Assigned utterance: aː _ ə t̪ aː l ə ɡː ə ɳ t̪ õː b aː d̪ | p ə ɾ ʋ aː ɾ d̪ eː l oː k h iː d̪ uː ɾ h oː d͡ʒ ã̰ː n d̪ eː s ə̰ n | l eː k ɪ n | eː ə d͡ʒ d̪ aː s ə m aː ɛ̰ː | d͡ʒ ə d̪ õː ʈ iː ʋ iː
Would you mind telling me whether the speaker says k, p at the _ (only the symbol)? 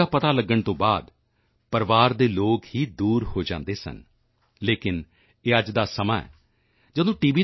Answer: p